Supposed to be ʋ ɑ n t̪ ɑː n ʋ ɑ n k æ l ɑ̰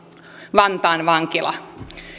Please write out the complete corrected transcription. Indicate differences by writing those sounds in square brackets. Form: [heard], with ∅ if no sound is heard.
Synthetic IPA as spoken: ʋ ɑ n t̪ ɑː n ʋ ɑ [ŋ] k [i] l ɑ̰